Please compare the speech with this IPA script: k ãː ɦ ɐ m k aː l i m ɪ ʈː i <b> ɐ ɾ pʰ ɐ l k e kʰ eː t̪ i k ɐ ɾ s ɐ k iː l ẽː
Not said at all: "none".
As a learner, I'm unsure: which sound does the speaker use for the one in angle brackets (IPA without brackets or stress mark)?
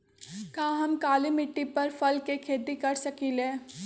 p